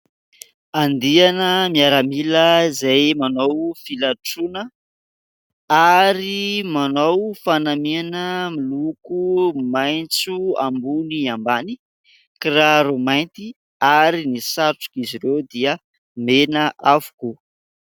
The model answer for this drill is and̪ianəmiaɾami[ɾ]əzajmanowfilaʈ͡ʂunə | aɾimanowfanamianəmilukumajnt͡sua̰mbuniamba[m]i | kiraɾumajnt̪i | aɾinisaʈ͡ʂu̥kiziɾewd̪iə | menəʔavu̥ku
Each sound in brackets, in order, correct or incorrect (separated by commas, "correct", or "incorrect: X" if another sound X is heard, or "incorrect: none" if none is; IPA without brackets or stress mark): incorrect: l, incorrect: n